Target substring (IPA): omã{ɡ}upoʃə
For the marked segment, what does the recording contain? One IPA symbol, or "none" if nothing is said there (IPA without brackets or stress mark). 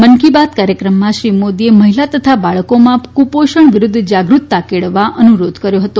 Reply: k